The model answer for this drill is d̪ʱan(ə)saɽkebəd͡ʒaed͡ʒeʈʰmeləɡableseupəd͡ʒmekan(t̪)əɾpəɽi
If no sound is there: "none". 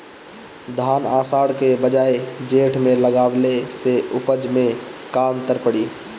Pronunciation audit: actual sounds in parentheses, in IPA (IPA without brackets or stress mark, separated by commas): a, t̪